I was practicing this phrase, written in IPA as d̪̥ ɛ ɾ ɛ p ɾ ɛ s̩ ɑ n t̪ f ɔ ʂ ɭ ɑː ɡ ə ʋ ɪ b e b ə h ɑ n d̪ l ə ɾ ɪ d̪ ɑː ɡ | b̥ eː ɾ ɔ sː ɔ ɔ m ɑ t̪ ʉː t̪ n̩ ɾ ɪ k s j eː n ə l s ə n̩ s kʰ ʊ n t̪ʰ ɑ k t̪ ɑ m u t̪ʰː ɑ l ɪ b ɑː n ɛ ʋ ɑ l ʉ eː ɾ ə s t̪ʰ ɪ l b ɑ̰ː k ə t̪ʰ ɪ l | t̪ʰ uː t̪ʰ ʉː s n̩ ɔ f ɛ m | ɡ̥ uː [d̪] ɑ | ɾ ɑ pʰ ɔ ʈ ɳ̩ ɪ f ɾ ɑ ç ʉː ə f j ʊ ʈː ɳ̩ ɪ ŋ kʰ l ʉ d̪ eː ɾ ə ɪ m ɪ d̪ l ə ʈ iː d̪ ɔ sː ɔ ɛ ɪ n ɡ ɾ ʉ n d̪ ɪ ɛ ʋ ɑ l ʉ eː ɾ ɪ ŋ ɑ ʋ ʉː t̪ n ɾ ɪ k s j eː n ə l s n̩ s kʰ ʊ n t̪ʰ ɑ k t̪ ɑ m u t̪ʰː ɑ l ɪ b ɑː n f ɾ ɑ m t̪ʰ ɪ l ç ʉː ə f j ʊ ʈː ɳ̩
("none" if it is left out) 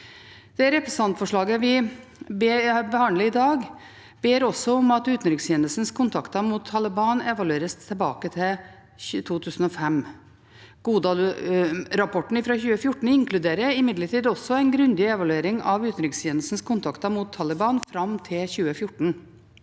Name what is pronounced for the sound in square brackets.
d̪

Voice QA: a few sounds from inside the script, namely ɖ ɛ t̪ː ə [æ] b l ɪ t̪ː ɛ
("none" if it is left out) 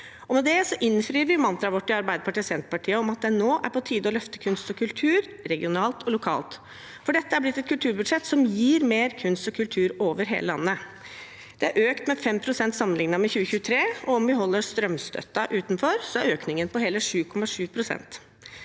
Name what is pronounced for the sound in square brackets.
æ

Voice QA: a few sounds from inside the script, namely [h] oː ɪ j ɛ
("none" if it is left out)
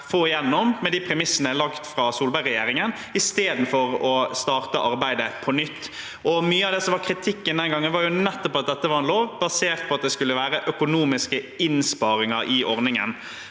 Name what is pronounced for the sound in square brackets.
f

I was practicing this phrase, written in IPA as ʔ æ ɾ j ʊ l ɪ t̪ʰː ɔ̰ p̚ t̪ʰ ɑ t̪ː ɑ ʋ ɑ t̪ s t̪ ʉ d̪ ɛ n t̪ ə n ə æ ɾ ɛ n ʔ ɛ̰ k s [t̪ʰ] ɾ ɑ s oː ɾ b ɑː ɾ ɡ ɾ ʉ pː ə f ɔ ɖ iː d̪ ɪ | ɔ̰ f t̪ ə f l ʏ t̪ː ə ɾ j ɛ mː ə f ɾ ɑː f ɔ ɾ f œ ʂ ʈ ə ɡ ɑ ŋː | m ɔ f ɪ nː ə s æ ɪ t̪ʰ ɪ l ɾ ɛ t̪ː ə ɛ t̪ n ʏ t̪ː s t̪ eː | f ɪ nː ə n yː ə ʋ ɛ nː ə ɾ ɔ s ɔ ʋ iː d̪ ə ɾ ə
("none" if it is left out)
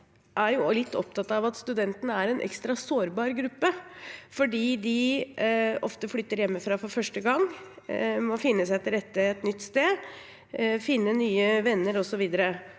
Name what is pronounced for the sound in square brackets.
t̪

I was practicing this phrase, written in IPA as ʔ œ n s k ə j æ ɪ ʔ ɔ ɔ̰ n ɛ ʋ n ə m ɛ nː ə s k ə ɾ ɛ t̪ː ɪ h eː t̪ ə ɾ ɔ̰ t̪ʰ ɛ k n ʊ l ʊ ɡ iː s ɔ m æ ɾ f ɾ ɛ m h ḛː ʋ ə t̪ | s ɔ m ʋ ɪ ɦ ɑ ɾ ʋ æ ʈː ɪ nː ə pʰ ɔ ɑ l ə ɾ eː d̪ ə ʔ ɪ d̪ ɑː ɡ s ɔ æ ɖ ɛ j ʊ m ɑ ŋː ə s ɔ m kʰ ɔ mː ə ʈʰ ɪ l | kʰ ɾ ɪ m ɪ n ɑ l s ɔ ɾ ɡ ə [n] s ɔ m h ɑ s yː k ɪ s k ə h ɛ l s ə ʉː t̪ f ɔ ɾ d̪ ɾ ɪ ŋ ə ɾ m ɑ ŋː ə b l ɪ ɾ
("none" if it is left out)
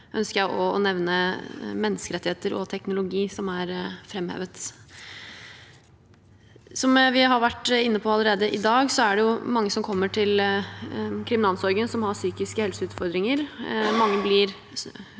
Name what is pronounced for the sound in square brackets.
n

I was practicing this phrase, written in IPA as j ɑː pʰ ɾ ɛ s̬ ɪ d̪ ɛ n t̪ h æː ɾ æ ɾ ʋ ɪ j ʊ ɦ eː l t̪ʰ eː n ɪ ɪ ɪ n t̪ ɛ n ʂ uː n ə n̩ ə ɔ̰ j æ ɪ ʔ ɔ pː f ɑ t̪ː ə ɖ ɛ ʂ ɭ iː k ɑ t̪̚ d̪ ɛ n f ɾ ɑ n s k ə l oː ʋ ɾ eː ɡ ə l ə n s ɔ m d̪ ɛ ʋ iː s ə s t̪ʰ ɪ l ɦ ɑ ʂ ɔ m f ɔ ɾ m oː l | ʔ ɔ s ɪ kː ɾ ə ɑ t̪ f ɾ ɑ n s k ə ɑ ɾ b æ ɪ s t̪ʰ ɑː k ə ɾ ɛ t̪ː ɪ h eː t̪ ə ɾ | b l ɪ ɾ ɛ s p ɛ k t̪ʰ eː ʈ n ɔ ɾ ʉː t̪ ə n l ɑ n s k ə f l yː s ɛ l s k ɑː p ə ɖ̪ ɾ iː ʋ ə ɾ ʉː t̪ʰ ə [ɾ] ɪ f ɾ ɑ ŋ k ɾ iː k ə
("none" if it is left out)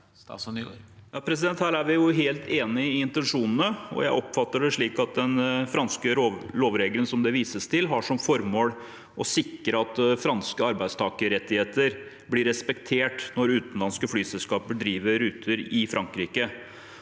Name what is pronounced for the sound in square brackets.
ɾ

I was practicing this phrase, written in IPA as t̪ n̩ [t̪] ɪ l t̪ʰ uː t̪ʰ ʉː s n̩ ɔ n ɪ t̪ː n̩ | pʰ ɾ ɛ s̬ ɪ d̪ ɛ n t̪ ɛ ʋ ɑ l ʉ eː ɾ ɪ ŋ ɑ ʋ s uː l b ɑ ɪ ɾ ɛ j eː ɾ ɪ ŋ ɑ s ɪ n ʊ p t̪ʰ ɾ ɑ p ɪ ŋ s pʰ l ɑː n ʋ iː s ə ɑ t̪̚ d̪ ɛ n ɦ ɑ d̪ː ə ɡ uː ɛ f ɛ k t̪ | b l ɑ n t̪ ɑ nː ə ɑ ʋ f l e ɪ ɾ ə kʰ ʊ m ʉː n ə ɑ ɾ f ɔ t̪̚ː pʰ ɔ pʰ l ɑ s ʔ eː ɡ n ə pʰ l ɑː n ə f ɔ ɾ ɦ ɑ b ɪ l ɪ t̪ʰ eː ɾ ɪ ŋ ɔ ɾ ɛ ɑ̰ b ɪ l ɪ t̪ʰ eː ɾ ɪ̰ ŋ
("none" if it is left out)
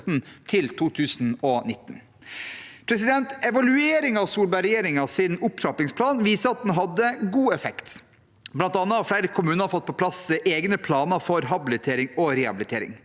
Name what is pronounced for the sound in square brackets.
t̪ʰ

